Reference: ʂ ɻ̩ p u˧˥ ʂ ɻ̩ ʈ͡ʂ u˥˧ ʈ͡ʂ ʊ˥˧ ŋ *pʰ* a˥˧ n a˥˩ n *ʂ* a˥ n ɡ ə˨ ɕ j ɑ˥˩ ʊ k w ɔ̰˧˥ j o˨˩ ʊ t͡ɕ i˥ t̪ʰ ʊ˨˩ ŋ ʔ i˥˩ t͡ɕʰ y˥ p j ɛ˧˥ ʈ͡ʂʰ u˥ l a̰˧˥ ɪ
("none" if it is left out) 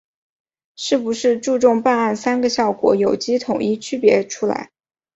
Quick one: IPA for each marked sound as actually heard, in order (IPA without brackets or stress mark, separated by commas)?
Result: p, s